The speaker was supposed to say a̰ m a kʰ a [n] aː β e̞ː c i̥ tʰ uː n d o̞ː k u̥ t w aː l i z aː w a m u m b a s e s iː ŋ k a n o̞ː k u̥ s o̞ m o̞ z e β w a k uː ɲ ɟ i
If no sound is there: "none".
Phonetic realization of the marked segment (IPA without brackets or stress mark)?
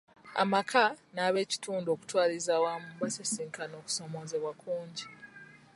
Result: n